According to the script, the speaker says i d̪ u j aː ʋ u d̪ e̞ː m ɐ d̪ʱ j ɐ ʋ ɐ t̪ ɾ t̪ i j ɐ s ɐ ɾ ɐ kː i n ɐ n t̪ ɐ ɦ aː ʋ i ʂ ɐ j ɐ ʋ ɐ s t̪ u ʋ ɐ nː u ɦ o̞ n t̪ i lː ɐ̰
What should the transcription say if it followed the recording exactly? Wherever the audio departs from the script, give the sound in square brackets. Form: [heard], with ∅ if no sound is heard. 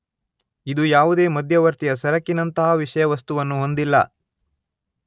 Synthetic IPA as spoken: i d̪ u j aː ʋ u d̪ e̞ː m ɐ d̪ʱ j ɐ ʋ ɐ [∅] ɾ t̪ i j ɐ s ɐ ɾ ɐ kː i n ɐ n t̪ ɐ ɦ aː ʋ i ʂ ɐ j ɐ ʋ ɐ s t̪ u ʋ ɐ nː u ɦ o̞ n [d̪] i lː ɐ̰